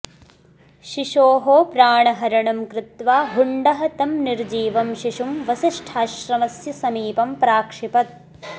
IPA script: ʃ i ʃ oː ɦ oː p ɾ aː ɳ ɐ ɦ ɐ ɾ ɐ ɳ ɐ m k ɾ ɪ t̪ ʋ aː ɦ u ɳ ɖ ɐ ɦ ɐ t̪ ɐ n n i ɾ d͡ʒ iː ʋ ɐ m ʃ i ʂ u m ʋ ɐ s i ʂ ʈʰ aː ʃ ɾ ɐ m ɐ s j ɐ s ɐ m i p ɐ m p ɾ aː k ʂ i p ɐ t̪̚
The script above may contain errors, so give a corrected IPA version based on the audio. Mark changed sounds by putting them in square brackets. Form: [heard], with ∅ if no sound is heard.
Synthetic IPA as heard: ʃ i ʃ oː ɦ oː p ɾ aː ɳ ɐ ɦ ɐ ɾ ɐ ɳ ɐ m k ɾ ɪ t̪ ʋ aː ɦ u ɳ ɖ ɐ ɦ ɐ t̪ ɐ [m] n i ɾ d͡ʒ iː ʋ ɐ m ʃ i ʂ u m ʋ ɐ s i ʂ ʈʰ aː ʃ ɾ ɐ m ɐ s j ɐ s ɐ m [iː] p ɐ m p ɾ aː k ʂ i p ɐ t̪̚

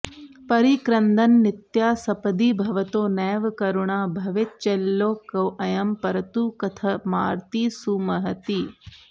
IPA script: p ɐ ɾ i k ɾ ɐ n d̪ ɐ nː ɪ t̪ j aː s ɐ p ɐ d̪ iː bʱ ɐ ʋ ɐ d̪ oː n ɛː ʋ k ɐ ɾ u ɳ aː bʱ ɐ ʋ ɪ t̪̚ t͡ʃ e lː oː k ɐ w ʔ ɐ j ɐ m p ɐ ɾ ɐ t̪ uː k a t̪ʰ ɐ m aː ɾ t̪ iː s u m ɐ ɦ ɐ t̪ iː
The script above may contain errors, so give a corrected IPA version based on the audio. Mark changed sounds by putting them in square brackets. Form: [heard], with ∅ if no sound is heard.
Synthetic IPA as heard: p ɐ ɾ i k ɾ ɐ n d̪ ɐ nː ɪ t̪ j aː s ɐ p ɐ d̪ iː bʱ ɐ ʋ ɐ [t̪] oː n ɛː ʋ k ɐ ɾ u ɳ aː bʱ ɐ ʋ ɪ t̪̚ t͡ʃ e lː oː k ɐ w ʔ ɐ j ɐ m p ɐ ɾ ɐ t̪ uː k [ɐ] t̪ʰ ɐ m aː ɾ t̪ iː s u m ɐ ɦ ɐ t̪ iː

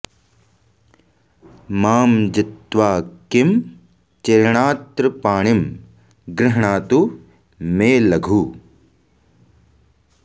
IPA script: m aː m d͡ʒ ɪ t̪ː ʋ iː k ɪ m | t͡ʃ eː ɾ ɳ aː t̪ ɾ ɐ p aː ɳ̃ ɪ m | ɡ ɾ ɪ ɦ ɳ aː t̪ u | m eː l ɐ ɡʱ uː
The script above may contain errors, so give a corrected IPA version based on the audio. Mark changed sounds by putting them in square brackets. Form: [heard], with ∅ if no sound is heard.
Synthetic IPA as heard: m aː m d͡ʒ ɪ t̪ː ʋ [aː] k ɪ m | t͡ʃ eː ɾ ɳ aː t̪ ɾ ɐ p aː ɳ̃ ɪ m | ɡ ɾ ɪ ɦ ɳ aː t̪ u | m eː l ɐ ɡʱ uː

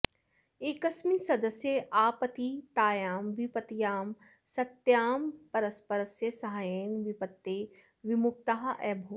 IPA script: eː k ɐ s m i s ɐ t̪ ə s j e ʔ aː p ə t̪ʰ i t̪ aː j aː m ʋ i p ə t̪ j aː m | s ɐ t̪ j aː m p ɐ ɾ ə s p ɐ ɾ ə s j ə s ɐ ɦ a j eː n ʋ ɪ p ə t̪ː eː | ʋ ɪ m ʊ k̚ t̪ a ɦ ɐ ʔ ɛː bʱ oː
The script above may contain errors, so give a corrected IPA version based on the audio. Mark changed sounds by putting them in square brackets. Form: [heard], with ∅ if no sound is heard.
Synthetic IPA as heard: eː k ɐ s m i s ɐ [d̪] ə s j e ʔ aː p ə [t̪] i t̪ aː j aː m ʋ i p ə t̪ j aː m | s ɐ t̪ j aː m p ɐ ɾ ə s p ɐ ɾ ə s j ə s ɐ ɦ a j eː n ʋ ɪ p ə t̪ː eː | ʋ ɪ m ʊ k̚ t̪ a ɦ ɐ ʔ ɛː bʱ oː

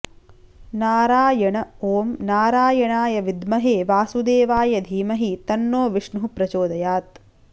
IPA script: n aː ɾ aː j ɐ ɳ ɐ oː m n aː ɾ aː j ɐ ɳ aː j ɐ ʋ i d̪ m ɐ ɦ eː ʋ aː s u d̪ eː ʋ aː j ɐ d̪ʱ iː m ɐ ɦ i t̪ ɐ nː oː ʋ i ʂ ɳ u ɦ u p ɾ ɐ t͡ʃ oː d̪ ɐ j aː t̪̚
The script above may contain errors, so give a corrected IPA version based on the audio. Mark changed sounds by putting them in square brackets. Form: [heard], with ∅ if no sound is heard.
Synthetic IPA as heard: n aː ɾ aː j ɐ ɳ ɐ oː m n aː ɾ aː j ɐ ɳ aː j ɐ ʋ i d̪ m ɐ ɦ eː ʋ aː s u d̪ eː ʋ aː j ɐ d̪ʱ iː m ɐ ɦ i t̪ ɐ nː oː ʋ i ʂ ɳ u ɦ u p ɾ ɐ t͡ʃ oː d̪ ɐ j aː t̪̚

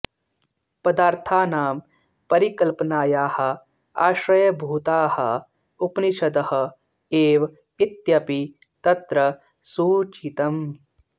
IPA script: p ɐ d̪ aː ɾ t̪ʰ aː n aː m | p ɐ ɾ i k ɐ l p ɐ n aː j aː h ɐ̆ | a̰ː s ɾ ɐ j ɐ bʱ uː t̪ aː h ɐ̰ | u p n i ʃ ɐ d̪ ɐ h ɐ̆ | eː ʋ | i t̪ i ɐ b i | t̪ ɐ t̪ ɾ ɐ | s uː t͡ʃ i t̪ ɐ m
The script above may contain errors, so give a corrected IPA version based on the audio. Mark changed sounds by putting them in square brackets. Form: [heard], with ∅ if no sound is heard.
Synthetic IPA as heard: p ɐ d̪ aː ɾ t̪ʰ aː n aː m | p ɐ ɾ i k ɐ l p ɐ n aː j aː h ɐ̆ | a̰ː [ʃ] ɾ ɐ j ɐ bʱ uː t̪ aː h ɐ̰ | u p n i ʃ ɐ d̪ ɐ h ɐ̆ | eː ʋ | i t̪ [j] ɐ [p] i | t̪ ɐ t̪ ɾ ɐ | s uː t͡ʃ i t̪ ɐ m

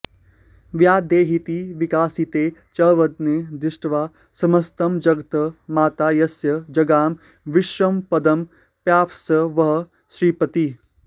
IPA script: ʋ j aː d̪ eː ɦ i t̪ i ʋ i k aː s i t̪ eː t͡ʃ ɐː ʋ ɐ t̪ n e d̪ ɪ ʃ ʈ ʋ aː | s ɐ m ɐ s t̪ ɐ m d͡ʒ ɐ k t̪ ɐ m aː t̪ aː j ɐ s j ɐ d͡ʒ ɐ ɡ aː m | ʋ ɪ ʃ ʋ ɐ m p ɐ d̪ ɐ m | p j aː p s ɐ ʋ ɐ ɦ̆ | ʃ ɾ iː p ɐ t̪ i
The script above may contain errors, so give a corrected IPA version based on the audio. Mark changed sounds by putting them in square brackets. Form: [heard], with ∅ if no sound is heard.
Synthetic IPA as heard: ʋ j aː d̪ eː ɦ i t̪ i ʋ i k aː s i t̪ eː t͡ʃ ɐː ʋ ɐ [d̪] n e d̪ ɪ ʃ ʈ ʋ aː | s ɐ m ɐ s t̪ ɐ m d͡ʒ ɐ [ɡ] t̪ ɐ m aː t̪ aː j ɐ s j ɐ d͡ʒ ɐ ɡ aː m | ʋ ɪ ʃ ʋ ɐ m p ɐ d̪ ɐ m | p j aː p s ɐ ʋ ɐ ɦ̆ | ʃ ɾ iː p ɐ t̪ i

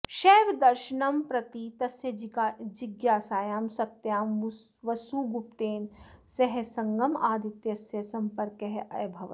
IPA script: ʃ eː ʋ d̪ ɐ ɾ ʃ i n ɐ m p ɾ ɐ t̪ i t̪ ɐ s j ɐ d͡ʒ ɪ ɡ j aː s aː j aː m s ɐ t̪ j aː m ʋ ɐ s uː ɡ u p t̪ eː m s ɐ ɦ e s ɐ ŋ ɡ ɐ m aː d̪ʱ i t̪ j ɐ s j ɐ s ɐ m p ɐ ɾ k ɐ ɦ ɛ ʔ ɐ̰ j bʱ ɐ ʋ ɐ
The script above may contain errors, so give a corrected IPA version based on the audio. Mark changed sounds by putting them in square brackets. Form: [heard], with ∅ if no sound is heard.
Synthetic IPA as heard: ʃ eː ʋ d̪ ɐ ɾ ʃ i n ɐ m p ɾ ɐ t̪ i t̪ ɐ s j ɐ d͡ʒ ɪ ɡ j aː s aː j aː m s ɐ t̪ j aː m ʋ ɐ s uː ɡ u p t̪ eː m s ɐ ɦ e s ɐ ŋ ɡ ɐ m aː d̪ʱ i t̪ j ɐ s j ɐ s ɐ m p ɐ ɾ k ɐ ɦ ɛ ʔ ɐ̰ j bʱ ɐ ʋ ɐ

